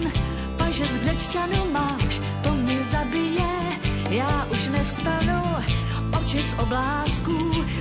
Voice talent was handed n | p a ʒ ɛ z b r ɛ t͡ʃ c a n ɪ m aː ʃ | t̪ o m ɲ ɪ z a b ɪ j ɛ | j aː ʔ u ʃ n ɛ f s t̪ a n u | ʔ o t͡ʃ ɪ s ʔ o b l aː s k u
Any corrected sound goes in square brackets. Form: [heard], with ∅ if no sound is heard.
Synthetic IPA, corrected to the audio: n | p a ʒ ɛ z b r ɛ t͡ʃ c a n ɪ m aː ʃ | t̪ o m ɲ ɪ z a b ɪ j ɛ | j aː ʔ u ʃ n ɛ f s t̪ a n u | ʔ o t͡ʃ ɪ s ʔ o b l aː s k u